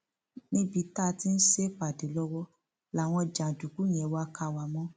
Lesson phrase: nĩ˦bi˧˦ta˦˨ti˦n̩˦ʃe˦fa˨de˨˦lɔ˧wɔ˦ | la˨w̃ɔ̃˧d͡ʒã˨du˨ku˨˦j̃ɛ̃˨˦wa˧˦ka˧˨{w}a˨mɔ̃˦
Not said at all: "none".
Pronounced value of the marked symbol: w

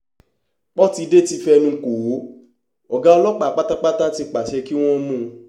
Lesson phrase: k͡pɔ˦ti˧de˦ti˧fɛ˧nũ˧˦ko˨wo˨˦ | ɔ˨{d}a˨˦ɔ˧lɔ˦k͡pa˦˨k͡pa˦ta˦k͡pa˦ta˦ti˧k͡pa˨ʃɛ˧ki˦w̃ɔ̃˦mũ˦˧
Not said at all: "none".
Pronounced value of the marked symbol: ɡ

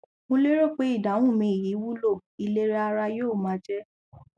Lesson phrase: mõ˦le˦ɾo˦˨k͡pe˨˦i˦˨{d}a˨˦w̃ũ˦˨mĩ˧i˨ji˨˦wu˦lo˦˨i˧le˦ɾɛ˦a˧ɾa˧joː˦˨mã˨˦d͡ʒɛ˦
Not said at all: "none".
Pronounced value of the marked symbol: d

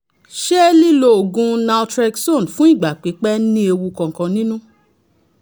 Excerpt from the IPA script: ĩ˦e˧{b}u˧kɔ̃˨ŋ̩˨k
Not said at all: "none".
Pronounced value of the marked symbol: w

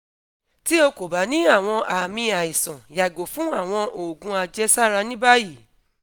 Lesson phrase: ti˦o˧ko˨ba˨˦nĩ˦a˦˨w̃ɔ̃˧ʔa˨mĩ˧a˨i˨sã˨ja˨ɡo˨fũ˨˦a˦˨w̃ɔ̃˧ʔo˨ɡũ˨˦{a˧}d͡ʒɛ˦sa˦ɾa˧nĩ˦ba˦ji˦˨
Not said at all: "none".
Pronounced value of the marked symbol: a˧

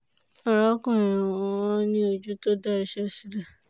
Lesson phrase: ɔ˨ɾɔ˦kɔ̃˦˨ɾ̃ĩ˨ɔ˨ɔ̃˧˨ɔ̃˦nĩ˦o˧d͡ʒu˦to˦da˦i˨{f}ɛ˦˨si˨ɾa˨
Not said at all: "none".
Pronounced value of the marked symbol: ʃ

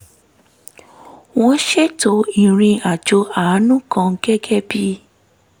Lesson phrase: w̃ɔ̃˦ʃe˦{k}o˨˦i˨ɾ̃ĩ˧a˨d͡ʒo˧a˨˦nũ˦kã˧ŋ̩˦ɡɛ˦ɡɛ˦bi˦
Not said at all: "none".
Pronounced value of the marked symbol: t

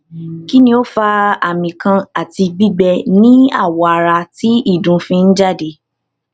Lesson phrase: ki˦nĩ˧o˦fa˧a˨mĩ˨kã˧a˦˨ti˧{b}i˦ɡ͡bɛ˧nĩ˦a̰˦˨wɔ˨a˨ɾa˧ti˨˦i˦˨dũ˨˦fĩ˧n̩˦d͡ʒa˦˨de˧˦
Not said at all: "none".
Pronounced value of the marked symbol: ɡ͡b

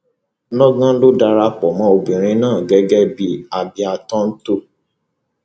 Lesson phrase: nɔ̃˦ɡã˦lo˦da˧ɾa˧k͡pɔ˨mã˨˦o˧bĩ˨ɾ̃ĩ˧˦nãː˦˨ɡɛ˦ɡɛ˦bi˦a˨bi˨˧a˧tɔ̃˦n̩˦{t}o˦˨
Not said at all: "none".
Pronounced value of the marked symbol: t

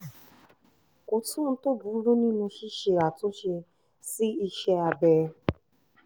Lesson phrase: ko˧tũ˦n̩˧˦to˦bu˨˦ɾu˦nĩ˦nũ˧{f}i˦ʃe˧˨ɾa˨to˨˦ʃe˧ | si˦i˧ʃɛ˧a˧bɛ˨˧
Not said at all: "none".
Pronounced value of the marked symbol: ʃ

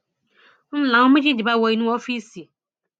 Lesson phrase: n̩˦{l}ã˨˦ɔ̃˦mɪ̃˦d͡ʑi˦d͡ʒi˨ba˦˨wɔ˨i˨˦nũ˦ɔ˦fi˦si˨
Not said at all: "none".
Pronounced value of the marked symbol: l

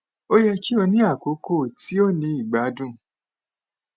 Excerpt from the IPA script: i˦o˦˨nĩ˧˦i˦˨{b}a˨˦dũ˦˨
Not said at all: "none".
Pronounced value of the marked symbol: ɡ͡b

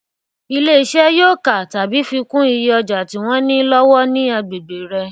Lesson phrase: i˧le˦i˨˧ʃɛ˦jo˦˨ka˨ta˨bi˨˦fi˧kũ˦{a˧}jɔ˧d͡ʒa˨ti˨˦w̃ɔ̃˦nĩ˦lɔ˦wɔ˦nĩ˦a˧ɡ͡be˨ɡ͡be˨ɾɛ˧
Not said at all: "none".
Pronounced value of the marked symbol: i˧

